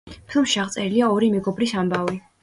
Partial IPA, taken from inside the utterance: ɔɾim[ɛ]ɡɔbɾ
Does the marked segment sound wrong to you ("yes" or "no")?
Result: no